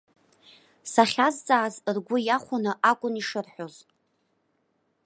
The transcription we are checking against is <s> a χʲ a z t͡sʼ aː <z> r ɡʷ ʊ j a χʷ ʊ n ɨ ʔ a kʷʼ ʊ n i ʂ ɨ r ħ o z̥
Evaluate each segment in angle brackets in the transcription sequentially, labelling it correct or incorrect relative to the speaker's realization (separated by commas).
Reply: correct, correct